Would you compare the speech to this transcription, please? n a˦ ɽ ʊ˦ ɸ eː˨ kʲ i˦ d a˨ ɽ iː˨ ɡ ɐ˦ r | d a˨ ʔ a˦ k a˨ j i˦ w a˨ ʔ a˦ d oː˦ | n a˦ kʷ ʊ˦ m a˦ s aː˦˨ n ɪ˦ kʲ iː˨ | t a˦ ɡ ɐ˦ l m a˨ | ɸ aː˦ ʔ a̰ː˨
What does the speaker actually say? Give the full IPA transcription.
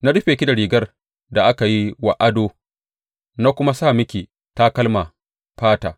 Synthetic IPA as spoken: n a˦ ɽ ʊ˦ ɸ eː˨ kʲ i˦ d a˨ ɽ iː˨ ɡ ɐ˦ r | d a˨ ʔ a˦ k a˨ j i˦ w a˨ ʔ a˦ d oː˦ | n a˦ kʷ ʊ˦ m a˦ s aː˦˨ m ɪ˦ kʲ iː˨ | t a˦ k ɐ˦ l m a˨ | ɸ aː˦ t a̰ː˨